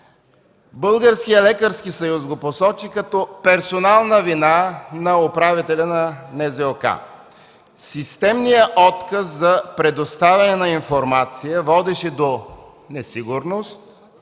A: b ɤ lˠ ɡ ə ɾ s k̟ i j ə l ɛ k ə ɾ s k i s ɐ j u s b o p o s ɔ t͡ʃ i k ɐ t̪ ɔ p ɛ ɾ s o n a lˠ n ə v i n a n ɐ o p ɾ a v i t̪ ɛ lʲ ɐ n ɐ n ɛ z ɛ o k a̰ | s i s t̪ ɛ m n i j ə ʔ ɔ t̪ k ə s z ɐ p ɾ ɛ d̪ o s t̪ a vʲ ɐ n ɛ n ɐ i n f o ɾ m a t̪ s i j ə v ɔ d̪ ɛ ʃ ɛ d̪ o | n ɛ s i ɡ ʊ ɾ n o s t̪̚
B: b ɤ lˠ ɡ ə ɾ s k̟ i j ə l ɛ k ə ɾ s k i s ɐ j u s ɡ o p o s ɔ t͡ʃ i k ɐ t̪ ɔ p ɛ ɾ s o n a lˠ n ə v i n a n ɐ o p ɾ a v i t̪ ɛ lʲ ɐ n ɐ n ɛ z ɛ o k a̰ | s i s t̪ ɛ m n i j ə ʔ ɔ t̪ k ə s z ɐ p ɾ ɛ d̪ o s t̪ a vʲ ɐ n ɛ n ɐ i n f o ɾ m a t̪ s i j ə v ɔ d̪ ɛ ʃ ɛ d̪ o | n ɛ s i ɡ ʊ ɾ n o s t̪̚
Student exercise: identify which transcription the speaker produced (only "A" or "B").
B